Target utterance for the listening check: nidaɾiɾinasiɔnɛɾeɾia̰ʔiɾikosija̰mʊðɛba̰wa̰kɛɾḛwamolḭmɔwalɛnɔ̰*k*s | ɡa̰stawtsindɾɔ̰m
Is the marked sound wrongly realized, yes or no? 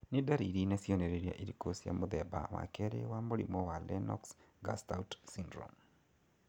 no